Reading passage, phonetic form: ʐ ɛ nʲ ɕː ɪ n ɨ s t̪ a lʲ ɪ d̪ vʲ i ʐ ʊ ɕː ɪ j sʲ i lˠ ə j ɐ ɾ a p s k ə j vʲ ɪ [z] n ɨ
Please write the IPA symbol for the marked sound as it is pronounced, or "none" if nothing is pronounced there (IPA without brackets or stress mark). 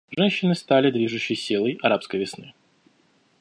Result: s